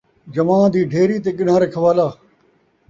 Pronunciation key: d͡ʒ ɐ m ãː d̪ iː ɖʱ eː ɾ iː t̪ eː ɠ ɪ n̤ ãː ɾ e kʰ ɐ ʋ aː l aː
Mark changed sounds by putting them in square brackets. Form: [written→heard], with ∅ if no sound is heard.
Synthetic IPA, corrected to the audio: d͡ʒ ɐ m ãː d̪ iː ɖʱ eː ɾ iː t̪ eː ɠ ɪ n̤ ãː ɾ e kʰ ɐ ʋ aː l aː